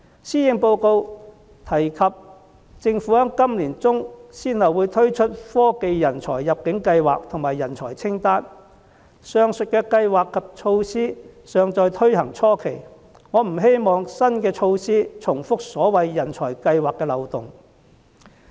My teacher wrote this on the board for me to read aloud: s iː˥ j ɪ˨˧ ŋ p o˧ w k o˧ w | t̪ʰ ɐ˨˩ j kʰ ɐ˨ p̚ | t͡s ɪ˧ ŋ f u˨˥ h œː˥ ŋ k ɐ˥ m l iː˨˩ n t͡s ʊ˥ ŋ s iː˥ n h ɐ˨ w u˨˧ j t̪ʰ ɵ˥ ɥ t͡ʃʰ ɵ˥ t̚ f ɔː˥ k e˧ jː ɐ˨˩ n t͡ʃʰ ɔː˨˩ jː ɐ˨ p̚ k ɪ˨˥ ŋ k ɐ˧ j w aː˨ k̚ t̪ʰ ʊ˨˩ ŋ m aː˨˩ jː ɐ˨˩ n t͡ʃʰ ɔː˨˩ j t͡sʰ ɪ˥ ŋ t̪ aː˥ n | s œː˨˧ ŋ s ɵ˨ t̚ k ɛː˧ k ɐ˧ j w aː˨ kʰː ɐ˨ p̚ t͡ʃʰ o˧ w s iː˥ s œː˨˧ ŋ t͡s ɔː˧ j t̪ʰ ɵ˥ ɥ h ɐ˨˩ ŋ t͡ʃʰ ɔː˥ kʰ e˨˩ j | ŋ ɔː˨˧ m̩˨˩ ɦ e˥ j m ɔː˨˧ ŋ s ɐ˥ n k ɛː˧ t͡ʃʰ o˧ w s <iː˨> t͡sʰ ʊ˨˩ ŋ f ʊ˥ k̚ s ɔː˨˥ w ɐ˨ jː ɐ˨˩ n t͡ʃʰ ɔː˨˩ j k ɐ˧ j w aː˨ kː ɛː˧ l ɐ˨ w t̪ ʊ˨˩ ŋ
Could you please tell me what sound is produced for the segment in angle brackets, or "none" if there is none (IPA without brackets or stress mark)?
iː˥